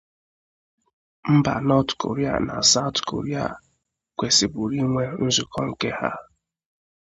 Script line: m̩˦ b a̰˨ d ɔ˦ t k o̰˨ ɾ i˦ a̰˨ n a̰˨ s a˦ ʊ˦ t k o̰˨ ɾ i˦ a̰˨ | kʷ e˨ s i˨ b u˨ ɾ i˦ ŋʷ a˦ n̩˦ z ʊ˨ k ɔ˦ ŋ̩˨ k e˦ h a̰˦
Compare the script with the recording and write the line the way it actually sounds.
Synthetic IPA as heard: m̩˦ b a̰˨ n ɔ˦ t k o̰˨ ɾ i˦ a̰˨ n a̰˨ s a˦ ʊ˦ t k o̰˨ ɾ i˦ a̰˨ | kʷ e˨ s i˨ b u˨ ɾ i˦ ŋʷ e˦ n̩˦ z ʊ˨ k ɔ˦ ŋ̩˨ k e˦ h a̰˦